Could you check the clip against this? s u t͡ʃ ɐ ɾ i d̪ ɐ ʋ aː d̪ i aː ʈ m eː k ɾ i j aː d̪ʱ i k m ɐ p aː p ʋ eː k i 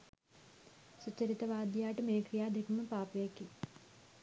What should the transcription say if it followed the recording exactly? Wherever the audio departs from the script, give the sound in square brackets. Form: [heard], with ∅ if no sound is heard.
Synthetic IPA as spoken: s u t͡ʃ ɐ ɾ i [t̪] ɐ ʋ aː d̪ [j] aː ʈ m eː k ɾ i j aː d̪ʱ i k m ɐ p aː p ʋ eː k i